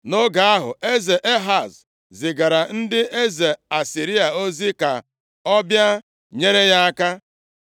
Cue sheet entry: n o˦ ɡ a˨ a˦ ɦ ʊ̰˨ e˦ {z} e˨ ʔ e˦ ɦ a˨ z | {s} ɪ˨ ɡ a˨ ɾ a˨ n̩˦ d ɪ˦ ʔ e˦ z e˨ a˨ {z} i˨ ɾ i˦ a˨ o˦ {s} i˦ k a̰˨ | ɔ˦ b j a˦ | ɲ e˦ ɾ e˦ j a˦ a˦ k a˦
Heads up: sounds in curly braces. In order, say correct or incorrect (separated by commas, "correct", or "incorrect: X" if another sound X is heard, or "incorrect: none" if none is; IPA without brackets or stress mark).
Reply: correct, incorrect: z, incorrect: s, incorrect: z